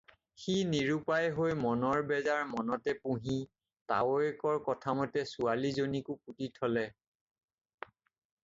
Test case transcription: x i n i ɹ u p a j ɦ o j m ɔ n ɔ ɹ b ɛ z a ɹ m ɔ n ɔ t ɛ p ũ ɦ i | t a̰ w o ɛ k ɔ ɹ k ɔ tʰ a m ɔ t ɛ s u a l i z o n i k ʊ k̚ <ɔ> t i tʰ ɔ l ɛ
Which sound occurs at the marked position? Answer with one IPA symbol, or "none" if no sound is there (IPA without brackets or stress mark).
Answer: u